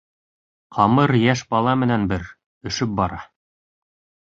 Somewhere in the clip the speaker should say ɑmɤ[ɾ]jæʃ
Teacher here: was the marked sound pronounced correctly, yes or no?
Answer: yes